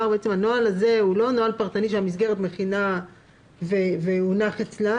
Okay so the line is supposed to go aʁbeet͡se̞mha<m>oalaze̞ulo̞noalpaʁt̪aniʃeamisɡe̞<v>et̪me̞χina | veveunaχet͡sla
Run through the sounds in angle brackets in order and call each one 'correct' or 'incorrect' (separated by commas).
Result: incorrect, incorrect